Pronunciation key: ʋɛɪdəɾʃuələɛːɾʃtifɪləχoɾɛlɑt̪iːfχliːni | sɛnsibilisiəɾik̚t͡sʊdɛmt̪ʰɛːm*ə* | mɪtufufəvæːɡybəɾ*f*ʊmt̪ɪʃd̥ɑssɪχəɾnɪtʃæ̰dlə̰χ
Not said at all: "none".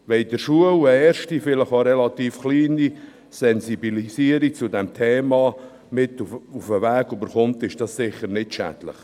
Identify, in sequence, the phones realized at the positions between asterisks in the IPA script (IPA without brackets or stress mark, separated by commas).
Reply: ɑ, χ